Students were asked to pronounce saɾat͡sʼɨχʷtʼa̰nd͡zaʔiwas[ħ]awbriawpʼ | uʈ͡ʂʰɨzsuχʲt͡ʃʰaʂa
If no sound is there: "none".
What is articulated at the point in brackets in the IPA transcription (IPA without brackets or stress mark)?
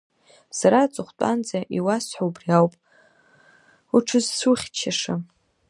ħ